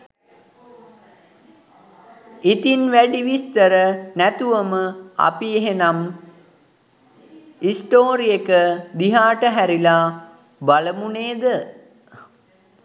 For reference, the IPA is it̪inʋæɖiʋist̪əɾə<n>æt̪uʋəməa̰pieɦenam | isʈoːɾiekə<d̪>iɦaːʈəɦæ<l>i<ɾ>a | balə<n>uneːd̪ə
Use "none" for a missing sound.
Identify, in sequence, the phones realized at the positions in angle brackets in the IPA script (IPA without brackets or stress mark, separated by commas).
n, d̪, ɾ, l, m